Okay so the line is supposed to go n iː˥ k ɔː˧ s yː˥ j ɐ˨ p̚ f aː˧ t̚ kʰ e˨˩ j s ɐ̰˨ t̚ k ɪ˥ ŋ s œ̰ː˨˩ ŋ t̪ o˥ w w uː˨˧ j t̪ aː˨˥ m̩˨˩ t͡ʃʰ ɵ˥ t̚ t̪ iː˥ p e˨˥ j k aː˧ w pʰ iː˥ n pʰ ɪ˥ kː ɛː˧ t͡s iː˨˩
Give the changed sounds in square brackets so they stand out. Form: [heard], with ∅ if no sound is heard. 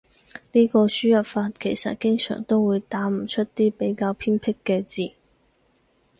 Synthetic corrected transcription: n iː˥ k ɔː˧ s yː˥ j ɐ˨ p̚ f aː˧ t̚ kʰ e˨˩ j s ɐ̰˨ t̚ k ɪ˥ ŋ s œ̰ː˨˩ ŋ t̪ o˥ w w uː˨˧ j t̪ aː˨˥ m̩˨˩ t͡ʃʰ ɵ˥ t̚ t̪ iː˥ p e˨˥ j k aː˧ w pʰ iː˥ n pʰ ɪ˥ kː ɛː˧ t͡s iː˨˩